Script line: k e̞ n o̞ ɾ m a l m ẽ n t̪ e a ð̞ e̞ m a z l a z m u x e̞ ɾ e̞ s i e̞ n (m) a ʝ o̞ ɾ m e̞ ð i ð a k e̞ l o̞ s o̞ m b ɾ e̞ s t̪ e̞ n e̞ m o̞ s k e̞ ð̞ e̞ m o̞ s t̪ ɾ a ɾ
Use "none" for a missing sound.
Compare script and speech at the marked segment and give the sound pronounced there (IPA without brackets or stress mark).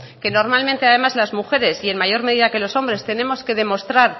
m